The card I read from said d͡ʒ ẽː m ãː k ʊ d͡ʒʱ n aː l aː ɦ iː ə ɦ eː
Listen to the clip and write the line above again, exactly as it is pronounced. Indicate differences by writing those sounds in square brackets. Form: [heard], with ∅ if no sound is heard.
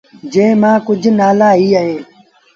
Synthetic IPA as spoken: d͡ʒ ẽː m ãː k ʊ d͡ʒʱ n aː l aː ɦ iː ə ɦ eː